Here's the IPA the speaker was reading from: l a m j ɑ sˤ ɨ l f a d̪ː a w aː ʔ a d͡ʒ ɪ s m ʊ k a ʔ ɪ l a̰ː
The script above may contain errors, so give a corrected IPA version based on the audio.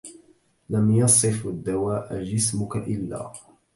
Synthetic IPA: l a m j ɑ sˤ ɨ f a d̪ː a w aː ʔ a d͡ʒ ɪ s m ʊ k a ʔ ɪ lː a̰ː

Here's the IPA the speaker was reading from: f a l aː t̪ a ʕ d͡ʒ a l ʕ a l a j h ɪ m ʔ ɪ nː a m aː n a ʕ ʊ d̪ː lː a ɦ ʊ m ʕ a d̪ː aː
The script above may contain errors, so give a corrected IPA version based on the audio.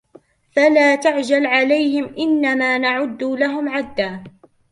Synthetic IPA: f a l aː t̪ a ʕ d͡ʒ a l ʕ a l a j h ɪ m ʔ ɪ nː a m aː n a ʕ ʊ d̪ː l a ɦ ʊ m ʕ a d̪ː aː

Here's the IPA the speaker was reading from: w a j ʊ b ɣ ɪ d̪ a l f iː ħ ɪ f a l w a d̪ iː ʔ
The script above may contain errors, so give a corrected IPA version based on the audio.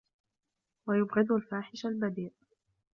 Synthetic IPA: w a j ʊ b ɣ ɪ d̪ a l f aː ħ ɪ ʃ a l b a d̪ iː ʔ

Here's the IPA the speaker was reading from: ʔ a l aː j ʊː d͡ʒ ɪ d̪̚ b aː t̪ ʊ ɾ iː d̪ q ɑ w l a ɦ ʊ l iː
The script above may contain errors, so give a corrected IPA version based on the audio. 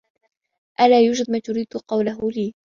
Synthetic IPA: ʔ a l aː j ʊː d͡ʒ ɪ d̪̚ m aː t̪ ʊ ɾ iː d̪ q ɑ w l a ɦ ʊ l iː

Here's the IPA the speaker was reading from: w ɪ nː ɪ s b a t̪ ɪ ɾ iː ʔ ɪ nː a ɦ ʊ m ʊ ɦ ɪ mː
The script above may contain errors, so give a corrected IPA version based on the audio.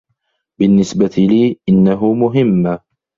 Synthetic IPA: b ɪ nː ɪ s b a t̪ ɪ l iː ʔ ɪ nː a ɦ ʊ m ʊ ɦ ɪ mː

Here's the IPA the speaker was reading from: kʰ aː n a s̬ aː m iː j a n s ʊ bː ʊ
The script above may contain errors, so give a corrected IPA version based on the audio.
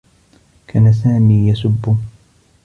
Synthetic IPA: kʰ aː n a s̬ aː m iː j a s ʊ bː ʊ

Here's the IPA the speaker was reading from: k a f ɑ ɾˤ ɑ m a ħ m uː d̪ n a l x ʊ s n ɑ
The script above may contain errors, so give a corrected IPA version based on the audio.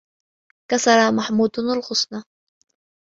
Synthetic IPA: k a s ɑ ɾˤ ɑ m a ħ m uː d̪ n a l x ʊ s n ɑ

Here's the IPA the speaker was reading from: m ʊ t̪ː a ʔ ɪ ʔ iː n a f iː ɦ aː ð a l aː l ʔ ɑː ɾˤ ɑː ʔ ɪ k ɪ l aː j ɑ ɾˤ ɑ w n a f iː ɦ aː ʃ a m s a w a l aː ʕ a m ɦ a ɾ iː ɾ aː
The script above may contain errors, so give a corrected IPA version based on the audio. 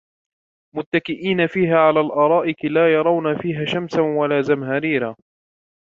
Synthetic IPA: m ʊ t̪ː a k ɪ ʔ iː n a f iː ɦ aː ʕ a l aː l ʔ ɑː ɾˤ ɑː ʔ ɪ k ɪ l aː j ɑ ɾˤ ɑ w n a f iː ɦ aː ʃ a m s a w a l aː z a m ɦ a ɾ iː ɾ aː

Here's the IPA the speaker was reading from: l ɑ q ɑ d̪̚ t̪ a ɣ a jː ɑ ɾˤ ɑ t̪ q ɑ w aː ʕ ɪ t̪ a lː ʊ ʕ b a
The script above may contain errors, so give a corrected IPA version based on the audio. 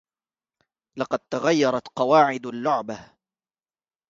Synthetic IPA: l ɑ q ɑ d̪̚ t̪ a ɣ a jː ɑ ɾˤ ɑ t̪ q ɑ w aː ʕ ɪ d̪ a lː ʊ ʕ b a

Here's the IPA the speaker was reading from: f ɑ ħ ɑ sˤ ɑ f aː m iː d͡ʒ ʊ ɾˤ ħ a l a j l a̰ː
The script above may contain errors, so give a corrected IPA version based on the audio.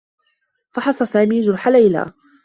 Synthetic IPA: f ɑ ħ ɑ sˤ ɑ s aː m iː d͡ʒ ʊ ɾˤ ħ a l a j l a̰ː

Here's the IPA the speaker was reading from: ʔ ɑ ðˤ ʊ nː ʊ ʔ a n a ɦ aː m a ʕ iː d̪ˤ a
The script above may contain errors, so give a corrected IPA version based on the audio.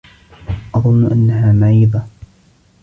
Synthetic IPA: ʔ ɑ ðˤ ʊ nː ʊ ʔ a nː a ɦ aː m a ʕ iː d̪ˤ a

